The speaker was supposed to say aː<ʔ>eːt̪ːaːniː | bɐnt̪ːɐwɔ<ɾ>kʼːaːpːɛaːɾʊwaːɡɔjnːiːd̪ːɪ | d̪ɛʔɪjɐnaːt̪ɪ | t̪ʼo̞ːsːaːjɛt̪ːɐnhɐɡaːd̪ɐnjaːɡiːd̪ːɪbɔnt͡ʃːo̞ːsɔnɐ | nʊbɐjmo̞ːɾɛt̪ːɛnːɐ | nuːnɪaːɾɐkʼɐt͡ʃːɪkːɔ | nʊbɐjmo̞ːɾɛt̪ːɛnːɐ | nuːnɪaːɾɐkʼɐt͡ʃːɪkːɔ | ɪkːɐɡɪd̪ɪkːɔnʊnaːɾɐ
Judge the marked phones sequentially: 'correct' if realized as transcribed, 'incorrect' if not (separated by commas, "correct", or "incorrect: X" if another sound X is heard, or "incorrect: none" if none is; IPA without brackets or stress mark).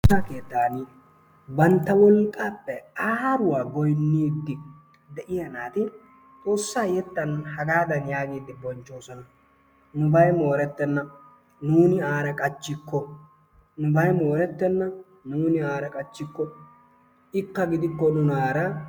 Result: incorrect: k, incorrect: l